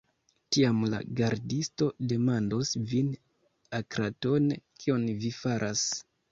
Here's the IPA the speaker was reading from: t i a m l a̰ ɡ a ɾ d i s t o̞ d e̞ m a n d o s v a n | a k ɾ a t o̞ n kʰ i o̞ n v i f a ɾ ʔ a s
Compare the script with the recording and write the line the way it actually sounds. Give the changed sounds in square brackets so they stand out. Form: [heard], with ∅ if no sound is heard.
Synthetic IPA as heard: t i a m l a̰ ɡ a ɾ d i s t o̞ d e̞ m a n d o s v [i] n | a k ɾ a t o̞ n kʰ i o̞ n v i f a ɾ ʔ a s